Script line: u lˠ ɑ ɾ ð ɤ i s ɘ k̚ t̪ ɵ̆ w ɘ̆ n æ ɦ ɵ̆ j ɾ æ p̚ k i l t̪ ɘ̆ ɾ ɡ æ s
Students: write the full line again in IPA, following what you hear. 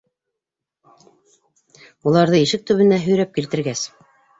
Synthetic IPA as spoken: u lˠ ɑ ɾ ð ɤ i ʃ ɘ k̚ t̪ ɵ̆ β ɘ̆ n æ ɦ ɵ̆ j ɾ æ p̚ k i l t̪ ɘ̆ ɾ ɡ æ s